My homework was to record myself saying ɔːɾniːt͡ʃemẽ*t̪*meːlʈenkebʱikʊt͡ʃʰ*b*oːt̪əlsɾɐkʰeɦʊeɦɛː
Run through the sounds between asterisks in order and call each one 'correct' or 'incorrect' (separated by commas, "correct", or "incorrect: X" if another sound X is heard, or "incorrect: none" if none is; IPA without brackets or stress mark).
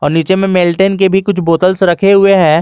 incorrect: none, correct